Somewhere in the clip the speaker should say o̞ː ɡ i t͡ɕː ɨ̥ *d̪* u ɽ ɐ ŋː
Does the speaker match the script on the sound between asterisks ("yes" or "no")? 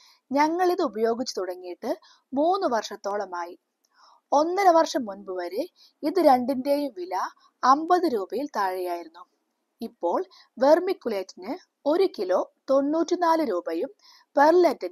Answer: no